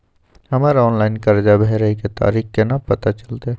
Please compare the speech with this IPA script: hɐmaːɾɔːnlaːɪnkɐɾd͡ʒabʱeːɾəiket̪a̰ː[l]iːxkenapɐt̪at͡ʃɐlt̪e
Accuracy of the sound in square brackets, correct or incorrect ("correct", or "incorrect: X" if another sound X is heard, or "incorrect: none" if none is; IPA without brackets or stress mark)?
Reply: incorrect: ɾ